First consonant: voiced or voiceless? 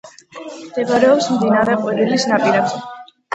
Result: voiced